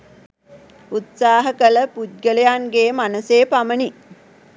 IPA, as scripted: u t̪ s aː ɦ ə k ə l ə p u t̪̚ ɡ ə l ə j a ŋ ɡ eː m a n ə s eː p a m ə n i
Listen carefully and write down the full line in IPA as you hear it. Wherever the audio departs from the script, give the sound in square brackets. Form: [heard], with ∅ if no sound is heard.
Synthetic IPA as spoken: u t̪ s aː ɦ ə k ə l ə p u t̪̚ ɡ ə l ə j a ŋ ɡ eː m a n ə s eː p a m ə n i

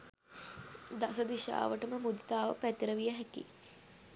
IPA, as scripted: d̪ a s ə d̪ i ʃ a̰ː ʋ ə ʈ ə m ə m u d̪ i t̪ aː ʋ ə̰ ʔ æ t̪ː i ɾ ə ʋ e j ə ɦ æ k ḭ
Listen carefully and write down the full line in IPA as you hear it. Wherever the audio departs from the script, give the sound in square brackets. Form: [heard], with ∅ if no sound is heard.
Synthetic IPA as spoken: d̪ a s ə d̪ i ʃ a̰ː ʋ ə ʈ ə m ə m u d̪ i t̪ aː ʋ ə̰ [p] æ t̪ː i ɾ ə ʋ [i] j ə ɦ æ k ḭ

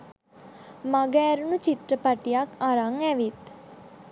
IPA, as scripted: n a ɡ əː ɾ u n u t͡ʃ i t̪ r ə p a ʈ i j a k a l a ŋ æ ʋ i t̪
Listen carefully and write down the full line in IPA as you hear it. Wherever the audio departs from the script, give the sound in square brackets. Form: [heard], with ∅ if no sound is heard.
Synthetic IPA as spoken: [m] a ɡ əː ɾ u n u t͡ʃ i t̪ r ə p a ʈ i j a k a [ɾ] a ŋ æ ʋ i t̪

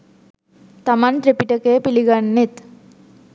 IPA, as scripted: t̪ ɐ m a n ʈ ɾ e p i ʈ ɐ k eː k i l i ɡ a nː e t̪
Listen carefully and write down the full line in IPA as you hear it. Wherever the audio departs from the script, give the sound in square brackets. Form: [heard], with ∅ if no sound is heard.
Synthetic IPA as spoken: t̪ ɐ m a n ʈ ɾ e p i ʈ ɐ k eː [p] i l i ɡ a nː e t̪

